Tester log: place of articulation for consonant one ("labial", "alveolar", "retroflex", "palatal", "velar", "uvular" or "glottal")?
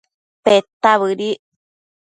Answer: labial